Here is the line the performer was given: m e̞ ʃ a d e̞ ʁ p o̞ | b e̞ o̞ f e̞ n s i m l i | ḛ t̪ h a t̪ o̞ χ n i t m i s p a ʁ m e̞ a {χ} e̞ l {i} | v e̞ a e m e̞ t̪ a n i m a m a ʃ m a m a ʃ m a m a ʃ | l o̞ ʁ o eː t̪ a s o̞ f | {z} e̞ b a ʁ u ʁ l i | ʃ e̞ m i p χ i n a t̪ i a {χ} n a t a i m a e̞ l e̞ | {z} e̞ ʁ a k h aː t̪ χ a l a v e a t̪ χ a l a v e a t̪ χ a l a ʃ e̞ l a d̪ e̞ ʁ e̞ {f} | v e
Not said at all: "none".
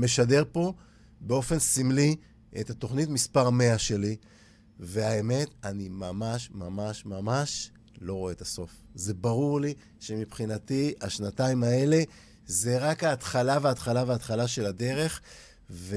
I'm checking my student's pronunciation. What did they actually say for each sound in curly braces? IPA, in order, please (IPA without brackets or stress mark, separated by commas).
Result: ʃ, i, z, ʃ, z, χ